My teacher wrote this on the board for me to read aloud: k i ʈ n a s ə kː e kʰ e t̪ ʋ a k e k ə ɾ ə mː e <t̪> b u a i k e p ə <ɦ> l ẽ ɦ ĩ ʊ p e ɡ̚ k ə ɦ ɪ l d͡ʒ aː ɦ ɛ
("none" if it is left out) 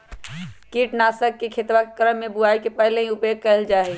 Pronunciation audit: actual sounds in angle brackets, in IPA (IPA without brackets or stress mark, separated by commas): none, ɦ